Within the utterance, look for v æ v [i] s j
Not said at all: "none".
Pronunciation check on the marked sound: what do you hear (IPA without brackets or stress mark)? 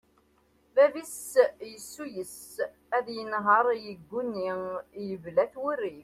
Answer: i